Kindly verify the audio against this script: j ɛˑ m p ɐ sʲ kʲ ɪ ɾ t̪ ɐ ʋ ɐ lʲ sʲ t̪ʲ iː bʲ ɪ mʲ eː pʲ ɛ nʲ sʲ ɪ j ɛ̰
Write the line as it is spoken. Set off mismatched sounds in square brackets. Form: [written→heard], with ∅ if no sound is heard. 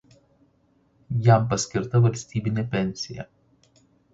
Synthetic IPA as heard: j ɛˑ m p ɐ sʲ kʲ ɪ ɾ t̪ ɐ ʋ ɐ lʲ sʲ t̪ʲ iː bʲ ɪ [mʲ→nʲ] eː pʲ ɛ nʲ sʲ ɪ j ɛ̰